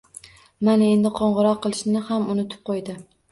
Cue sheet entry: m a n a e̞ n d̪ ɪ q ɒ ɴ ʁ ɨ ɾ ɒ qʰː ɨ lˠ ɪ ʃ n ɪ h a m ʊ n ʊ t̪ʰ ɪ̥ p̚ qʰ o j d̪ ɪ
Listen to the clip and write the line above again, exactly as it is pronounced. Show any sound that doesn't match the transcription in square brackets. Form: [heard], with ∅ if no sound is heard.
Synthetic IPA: m a n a e̞ n d̪ ɪ [qʰ] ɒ ɴ ʁ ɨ ɾ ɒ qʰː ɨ lˠ ɪ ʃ n ɪ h a m ʊ n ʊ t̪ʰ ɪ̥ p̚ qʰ o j d̪ ɪ